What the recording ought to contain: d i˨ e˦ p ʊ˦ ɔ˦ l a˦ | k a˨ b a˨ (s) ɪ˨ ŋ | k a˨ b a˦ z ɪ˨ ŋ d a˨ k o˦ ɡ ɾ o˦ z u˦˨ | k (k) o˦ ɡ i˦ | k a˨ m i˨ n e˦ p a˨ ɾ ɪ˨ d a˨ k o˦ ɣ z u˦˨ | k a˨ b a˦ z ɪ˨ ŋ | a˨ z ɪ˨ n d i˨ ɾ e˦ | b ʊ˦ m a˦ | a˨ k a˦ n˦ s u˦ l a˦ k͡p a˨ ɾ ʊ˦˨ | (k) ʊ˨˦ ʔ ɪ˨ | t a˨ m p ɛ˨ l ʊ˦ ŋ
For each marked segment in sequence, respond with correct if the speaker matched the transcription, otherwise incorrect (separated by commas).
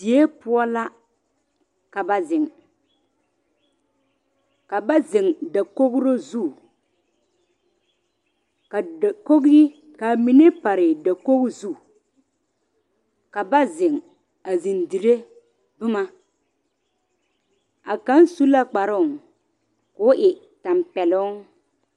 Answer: incorrect, correct, correct